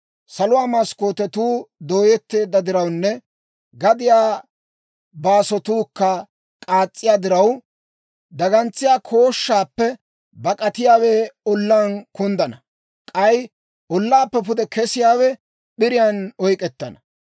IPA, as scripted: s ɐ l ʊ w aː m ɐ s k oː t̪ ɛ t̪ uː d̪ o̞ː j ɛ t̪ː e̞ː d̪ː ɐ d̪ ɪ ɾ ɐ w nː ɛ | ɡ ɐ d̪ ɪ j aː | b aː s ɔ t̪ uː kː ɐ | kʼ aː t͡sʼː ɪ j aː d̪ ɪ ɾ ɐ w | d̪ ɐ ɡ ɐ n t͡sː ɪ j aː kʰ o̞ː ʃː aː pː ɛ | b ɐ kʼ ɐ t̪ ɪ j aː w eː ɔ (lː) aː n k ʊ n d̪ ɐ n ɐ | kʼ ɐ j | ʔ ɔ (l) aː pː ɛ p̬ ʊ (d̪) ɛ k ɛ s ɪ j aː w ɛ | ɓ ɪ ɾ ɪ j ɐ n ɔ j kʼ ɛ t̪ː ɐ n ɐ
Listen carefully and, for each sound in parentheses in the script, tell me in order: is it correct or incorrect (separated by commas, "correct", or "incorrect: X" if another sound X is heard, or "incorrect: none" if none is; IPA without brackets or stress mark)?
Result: correct, incorrect: lː, correct